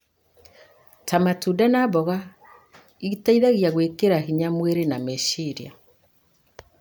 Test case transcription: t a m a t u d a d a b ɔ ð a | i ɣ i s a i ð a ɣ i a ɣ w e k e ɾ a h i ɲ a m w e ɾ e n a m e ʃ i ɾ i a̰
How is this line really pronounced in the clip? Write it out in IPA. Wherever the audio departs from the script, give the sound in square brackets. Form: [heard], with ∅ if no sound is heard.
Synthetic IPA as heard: t a m a t u d a [n] a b ɔ [ɣ] a | i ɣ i [t] a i ð a ɣ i a ɣ w e k e ɾ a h i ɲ a m w e ɾ e n a m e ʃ i ɾ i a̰